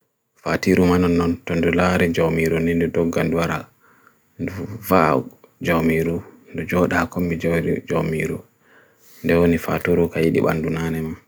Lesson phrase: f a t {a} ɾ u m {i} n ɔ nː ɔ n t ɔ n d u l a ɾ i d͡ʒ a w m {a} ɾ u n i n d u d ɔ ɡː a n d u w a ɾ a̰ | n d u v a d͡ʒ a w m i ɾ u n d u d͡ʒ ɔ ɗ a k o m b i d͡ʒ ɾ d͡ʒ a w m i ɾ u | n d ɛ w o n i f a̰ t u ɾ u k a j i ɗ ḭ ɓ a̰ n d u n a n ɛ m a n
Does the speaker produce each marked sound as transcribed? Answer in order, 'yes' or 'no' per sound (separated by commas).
no, no, no